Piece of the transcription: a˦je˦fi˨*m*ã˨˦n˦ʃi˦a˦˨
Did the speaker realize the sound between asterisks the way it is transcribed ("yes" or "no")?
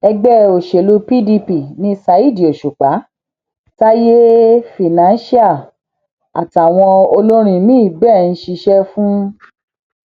no